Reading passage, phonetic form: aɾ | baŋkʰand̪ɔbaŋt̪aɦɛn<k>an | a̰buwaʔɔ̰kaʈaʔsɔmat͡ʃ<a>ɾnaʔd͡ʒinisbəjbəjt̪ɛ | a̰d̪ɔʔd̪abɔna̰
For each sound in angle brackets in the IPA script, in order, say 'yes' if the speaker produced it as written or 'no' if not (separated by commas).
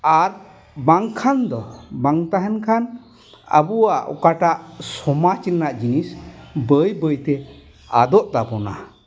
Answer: no, no